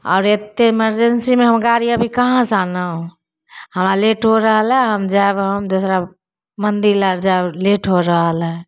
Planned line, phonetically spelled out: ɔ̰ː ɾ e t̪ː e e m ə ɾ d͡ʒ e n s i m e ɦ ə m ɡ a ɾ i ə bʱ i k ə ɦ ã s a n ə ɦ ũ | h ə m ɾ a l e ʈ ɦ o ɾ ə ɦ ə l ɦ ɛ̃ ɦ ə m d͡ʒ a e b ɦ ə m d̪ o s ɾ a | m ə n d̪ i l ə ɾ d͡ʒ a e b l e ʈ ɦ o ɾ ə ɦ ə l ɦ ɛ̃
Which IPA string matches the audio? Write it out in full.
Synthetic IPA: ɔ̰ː ɾ e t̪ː e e m ə ɾ d͡ʒ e n s i m e ɦ ə m ɡ a ɾ i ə bʱ i k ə ɦ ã s a n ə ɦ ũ | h ə m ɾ a l e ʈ ɦ o ɾ ə ɦ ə l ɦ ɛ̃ ɦ ə m d͡ʒ a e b ɦ ə m d̪ o s ɾ a | m ə n d̪ i l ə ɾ d͡ʒ a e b l e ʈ ɦ o ɾ ə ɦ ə l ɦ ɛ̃